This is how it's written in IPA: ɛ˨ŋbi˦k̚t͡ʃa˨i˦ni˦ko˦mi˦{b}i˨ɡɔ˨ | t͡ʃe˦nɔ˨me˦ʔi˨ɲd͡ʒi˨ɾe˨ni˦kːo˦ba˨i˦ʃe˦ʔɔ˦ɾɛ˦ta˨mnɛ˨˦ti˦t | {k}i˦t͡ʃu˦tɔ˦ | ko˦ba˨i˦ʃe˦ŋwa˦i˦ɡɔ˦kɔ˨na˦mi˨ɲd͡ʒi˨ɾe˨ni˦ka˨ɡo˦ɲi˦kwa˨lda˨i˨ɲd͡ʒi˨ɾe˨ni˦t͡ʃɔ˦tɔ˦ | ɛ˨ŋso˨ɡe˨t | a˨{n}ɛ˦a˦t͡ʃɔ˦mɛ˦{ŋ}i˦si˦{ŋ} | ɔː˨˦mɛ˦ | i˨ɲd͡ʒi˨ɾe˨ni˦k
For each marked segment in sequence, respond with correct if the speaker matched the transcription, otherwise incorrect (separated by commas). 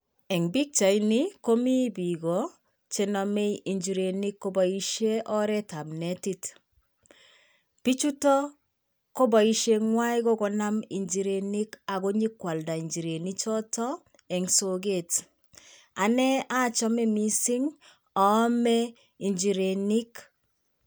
correct, incorrect, correct, incorrect, correct